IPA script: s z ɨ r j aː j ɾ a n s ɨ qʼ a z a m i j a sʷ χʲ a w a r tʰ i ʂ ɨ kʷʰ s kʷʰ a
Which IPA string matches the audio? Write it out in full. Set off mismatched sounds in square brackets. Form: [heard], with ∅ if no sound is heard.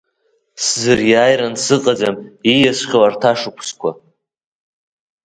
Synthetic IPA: s z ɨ r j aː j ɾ a n s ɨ qʼ a [d͡z] a m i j a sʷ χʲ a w a r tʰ [a] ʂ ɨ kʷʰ s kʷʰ a